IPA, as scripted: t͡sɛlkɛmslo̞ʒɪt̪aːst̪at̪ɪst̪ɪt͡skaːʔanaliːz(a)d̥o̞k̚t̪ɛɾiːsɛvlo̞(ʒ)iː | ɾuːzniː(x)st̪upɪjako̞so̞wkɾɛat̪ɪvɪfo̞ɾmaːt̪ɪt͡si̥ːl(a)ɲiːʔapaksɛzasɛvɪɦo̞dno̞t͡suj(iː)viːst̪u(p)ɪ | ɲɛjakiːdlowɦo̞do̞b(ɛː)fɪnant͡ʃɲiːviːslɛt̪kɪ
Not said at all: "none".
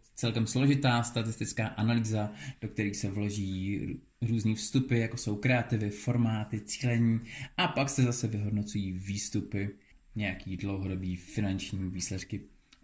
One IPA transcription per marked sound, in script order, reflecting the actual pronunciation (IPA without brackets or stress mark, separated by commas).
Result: a, ʒ, f, ɛ, iː, p, iː